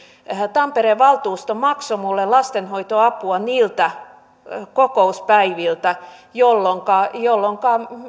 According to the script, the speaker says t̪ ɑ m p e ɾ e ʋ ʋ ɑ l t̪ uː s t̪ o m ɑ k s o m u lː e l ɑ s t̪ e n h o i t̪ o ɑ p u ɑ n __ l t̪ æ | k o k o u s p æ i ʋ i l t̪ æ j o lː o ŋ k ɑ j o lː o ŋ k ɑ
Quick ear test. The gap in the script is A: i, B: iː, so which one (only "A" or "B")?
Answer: B